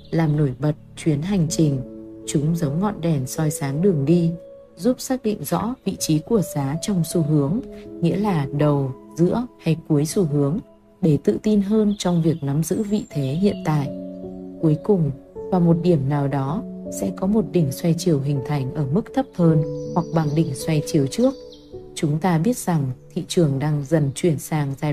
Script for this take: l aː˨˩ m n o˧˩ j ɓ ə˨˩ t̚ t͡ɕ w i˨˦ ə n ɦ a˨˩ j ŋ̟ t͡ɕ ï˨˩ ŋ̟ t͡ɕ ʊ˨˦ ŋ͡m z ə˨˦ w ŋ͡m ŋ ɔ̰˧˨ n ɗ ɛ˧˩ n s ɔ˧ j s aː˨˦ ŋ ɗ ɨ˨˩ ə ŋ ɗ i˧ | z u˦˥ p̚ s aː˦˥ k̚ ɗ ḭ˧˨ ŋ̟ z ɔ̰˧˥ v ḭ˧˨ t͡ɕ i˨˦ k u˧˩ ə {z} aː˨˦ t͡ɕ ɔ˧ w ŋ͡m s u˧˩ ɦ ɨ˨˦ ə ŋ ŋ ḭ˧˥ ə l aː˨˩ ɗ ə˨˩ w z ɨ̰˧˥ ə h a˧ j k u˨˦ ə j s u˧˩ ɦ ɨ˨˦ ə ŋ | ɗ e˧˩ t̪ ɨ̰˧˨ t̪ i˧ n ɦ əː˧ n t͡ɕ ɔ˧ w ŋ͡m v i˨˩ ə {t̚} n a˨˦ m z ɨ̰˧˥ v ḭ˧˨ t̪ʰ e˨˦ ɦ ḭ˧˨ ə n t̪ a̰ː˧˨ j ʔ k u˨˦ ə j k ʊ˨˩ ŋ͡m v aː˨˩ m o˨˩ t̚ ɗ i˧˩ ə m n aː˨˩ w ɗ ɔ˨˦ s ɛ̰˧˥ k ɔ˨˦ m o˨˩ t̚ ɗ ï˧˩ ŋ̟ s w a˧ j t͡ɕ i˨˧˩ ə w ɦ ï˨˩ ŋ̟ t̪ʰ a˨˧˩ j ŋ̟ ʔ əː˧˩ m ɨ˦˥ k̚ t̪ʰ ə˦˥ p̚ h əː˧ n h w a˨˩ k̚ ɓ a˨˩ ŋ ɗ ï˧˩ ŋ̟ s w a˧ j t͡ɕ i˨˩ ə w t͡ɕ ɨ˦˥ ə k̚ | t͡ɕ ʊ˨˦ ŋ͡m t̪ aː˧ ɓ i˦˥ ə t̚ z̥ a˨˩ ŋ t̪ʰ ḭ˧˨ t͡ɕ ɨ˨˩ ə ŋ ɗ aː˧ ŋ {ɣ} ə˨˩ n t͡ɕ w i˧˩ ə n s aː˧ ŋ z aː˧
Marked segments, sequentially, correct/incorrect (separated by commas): correct, incorrect, incorrect